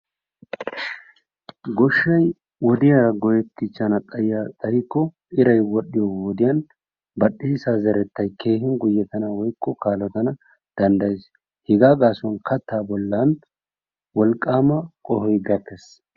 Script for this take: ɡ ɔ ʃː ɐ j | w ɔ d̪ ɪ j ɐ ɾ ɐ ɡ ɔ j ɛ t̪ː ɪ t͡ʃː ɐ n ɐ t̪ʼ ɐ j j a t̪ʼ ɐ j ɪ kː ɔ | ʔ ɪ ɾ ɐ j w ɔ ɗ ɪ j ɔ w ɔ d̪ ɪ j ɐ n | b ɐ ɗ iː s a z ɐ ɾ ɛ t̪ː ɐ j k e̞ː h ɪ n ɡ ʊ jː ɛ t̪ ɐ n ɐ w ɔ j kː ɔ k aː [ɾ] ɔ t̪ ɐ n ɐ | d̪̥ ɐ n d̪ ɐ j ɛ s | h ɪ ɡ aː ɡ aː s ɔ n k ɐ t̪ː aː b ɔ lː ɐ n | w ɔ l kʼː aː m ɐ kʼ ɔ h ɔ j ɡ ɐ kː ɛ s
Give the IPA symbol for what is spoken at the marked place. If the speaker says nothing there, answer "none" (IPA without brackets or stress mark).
l